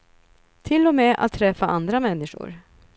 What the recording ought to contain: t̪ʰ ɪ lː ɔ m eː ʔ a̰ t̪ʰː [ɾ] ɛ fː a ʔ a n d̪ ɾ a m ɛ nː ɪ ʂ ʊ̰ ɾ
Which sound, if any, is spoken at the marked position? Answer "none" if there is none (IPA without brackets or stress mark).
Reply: ɾ